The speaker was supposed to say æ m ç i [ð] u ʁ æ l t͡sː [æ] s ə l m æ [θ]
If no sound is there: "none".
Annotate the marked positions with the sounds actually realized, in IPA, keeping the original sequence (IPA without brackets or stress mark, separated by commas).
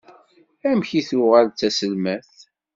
θ, æ, θ